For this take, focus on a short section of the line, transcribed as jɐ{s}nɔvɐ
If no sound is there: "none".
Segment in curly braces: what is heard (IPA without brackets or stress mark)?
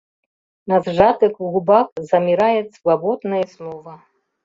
s